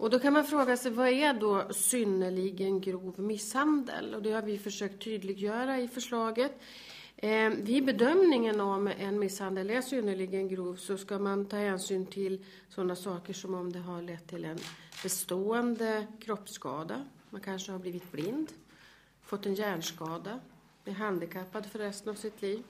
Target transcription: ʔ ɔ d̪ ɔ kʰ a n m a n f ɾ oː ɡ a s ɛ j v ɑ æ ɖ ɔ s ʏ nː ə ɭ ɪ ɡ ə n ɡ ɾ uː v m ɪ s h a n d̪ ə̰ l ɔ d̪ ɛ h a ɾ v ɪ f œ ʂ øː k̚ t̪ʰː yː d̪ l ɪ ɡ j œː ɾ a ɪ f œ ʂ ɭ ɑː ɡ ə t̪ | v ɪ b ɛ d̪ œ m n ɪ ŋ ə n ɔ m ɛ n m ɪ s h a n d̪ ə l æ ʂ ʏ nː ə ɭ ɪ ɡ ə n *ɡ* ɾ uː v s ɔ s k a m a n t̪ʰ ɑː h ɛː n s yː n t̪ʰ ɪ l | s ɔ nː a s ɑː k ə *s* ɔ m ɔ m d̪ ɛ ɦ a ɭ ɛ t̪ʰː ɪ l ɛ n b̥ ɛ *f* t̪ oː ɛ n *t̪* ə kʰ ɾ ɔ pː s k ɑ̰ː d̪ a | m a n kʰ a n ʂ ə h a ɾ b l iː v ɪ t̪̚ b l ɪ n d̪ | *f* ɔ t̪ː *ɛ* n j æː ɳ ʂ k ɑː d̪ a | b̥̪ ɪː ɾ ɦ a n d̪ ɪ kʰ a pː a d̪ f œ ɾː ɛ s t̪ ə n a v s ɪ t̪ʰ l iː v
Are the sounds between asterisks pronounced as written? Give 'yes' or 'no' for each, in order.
yes, no, no, no, yes, yes

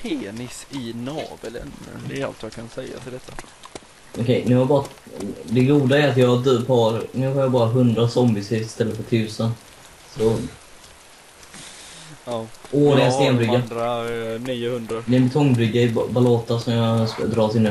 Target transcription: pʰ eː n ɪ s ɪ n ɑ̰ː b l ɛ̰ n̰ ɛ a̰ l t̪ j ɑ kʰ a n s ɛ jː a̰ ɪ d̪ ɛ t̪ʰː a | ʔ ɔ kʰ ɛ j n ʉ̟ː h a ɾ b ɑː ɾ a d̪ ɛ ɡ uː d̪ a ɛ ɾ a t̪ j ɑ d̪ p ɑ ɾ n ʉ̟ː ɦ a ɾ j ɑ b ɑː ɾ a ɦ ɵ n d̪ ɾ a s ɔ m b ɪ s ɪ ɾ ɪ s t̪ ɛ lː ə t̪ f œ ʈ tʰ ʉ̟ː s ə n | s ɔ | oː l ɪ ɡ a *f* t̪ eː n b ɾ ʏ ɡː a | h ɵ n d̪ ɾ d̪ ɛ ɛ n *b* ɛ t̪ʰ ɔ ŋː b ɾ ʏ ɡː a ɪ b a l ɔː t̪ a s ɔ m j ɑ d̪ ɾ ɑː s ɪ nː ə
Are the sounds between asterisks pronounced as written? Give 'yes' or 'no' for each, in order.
no, yes

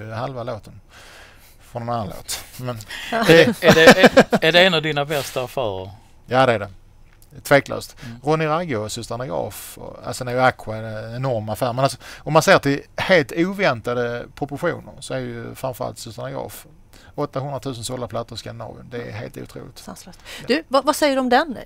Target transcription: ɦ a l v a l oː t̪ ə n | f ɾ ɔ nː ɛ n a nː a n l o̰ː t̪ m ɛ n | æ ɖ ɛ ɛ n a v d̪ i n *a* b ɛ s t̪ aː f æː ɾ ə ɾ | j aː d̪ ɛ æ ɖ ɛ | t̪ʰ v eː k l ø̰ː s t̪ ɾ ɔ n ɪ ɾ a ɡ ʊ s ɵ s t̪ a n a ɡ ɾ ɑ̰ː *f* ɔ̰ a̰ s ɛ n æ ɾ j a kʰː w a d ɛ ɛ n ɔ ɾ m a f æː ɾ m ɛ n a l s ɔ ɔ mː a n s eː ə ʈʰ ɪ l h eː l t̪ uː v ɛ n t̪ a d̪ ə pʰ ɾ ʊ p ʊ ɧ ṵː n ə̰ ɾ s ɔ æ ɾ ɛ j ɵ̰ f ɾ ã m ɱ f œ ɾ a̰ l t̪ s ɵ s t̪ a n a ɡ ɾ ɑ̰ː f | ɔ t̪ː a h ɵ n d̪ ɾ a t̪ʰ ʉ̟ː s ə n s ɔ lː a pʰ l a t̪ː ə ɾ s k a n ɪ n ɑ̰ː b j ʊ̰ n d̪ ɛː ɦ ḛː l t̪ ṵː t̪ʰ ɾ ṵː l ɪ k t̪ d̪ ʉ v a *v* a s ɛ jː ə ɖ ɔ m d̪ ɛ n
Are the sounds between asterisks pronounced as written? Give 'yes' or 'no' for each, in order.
yes, yes, yes

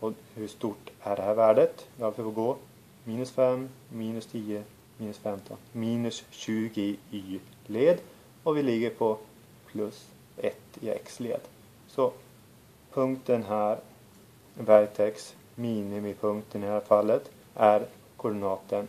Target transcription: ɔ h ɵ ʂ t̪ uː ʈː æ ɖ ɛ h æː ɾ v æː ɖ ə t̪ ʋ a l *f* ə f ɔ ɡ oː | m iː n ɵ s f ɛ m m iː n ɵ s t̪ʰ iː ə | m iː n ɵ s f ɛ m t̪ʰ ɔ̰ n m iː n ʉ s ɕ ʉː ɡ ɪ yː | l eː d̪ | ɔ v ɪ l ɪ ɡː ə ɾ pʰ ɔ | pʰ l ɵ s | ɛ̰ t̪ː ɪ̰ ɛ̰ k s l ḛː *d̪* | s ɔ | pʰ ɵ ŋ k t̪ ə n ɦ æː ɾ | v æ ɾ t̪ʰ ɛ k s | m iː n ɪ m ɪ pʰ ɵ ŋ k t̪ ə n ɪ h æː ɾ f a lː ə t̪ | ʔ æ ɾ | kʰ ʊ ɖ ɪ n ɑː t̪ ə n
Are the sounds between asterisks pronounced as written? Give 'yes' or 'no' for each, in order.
yes, yes

